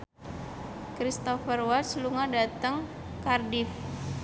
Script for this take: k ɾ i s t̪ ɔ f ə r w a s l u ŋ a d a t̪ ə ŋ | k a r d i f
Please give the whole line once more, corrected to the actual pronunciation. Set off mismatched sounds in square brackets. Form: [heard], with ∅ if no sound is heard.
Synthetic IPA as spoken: k ɾ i s t̪ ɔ f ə r w a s l u ŋ a d a t̪ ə ŋ | k a r d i f